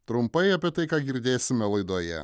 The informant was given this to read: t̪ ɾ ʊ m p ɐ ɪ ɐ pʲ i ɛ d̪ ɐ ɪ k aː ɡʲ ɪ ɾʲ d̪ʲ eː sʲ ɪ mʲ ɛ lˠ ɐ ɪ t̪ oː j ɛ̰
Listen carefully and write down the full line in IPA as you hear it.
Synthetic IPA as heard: t̪ ɾ ʊ m p ɐ ɪ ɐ pʲ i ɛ t̪ ɐ ɪ k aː ɡʲ ɪ ɾʲ d̪ʲ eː sʲ ɪ mʲ ɛ lˠ ɐ ɪ d̪ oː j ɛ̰